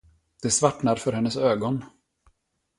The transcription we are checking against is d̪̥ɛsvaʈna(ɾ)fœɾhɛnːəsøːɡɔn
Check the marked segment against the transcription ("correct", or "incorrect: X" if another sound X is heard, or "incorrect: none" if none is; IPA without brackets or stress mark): correct